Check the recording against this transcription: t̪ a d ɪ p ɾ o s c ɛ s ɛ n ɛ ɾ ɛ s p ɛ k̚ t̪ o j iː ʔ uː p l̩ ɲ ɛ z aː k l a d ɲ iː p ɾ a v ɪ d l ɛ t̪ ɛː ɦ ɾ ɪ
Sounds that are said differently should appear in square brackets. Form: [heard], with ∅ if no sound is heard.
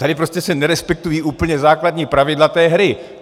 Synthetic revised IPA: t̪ a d ɪ p ɾ o s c ɛ s ɛ n ɛ ɾ ɛ s p ɛ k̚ t̪ [u] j iː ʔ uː p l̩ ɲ ɛ z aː k l a d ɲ iː p ɾ a v ɪ d l [a] t̪ ɛː ɦ ɾ ɪ